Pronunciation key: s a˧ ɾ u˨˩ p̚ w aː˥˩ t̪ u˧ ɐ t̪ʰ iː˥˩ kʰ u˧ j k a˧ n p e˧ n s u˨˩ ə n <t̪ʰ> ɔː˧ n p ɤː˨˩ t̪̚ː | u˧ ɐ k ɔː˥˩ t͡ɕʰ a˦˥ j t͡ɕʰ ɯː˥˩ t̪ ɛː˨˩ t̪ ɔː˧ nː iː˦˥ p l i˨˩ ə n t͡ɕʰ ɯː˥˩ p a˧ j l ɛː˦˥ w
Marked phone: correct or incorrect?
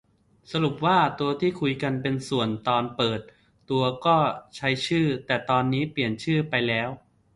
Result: incorrect: t̪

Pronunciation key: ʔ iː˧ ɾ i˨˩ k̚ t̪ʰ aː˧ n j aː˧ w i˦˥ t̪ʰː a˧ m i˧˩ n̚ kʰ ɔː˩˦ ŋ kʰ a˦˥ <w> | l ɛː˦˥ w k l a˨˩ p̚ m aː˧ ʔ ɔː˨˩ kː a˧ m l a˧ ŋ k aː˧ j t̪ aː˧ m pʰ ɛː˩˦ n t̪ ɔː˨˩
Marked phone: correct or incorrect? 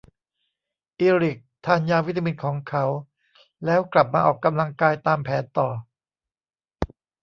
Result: correct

